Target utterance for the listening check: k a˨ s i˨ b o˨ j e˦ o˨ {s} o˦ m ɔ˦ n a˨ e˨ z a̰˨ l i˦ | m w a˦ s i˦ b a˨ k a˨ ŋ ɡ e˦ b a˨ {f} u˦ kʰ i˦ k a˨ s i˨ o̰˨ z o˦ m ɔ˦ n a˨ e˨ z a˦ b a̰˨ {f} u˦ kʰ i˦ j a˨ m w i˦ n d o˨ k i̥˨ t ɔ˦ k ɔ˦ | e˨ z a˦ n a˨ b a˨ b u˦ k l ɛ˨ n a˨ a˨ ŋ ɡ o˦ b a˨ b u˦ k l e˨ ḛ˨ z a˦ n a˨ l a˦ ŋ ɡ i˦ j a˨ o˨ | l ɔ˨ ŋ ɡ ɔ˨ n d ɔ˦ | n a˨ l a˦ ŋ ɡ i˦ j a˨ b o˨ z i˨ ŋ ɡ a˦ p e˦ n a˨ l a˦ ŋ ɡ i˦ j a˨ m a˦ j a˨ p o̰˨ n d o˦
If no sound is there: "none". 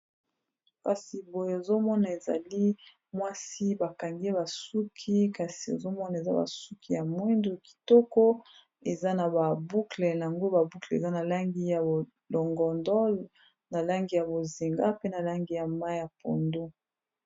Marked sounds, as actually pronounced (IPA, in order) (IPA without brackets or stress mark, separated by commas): z, s, s